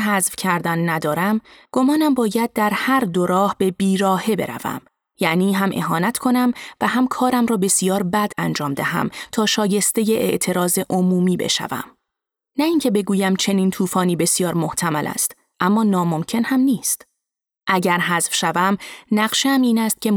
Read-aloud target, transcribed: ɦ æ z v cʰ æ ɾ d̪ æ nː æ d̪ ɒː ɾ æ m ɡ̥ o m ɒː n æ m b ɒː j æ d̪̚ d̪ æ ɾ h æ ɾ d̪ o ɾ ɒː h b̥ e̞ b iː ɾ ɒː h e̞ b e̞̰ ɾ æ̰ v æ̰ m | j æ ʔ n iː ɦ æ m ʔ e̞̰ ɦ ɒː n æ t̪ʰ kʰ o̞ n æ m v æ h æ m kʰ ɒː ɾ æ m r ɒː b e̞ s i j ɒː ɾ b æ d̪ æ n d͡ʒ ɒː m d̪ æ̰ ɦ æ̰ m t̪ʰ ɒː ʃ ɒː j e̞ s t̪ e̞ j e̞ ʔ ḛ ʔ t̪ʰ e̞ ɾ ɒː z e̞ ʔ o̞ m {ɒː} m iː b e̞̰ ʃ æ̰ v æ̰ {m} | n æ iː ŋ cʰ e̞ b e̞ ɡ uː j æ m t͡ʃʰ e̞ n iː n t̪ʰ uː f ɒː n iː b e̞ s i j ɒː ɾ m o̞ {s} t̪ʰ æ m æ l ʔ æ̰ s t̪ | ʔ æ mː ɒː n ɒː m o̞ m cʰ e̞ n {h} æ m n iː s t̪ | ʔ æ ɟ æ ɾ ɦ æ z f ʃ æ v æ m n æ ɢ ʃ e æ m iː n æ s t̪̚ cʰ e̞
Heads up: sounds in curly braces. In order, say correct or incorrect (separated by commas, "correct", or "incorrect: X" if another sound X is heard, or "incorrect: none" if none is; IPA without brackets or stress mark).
incorrect: uː, correct, incorrect: h, correct